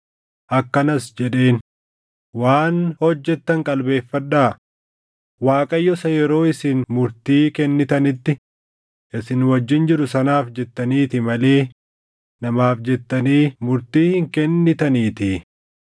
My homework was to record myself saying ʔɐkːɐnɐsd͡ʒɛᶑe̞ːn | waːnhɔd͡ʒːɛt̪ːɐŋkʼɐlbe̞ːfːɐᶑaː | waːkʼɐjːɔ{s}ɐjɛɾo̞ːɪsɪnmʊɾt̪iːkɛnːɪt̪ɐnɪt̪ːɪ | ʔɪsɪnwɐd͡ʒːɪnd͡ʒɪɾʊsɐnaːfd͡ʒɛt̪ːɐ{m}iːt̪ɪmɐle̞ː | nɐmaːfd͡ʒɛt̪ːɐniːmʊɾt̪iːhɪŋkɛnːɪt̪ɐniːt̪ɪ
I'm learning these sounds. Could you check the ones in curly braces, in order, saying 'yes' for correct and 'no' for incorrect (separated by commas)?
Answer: yes, no